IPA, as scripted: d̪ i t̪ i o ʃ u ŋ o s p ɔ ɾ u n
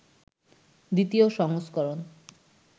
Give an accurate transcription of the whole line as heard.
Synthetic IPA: d̪ i t̪ i o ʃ ɔ ŋ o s k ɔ ɾ o n